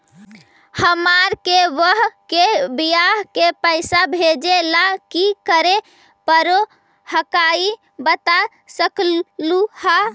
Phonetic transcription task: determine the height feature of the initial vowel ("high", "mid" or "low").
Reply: mid